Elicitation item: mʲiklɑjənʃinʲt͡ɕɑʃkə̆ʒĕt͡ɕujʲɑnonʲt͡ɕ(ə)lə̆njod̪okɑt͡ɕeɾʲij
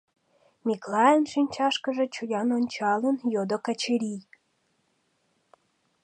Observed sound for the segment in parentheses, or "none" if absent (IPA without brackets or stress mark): ɑ